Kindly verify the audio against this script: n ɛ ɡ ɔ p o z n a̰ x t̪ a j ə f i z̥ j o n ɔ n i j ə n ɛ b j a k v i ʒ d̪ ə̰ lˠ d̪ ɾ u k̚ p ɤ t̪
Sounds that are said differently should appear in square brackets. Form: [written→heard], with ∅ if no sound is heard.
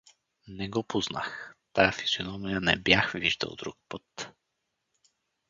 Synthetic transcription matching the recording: n ɛ ɡ ɔ p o z n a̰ x t̪ a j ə f i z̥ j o n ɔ [n→m] i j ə n ɛ b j a [k→x] v i ʒ d̪ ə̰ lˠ d̪ ɾ u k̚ p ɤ t̪